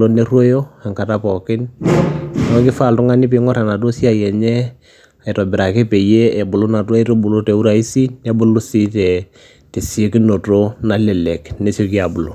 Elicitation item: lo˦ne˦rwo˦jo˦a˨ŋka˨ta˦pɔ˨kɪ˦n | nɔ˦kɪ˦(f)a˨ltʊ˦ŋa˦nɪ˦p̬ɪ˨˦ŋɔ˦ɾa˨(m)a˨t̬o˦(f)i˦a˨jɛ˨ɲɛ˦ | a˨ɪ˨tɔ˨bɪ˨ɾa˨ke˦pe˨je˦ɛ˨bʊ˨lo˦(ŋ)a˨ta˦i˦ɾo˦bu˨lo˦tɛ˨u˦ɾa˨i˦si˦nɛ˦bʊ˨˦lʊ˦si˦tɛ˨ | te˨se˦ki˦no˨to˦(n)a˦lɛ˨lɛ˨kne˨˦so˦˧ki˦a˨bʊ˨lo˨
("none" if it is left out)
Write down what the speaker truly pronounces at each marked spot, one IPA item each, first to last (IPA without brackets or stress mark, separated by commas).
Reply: f, n, s, n, n